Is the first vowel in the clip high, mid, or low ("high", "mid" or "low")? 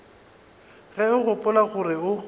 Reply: mid